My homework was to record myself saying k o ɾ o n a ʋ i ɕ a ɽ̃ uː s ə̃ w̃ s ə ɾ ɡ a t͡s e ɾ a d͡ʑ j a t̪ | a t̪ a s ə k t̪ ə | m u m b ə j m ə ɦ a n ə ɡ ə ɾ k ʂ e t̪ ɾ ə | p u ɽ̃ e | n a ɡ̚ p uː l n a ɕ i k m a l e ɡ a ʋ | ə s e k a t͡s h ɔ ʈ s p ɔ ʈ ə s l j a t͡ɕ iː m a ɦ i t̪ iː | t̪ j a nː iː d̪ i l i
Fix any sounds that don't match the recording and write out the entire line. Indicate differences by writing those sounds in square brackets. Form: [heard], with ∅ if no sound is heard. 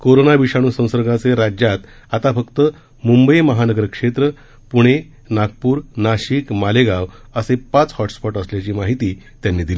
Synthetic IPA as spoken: k o ɾ o n a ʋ i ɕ a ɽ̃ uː s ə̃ w̃ s ə ɾ ɡ a t͡s e ɾ a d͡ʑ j a t̪ | a t̪ a [f] ə k t̪ ə | m u m b ə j m ə ɦ a n ə ɡ ə ɾ k ʂ e t̪ ɾ ə | p u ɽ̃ e | n a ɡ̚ p uː [ɾ] n a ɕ i k m a l e ɡ a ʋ | ə s e [p] a t͡s h ɔ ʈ s p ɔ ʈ ə s l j a t͡ɕ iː m a ɦ i t̪ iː | t̪ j a nː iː d̪ i l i